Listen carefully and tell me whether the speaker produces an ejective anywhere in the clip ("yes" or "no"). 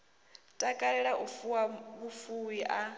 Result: yes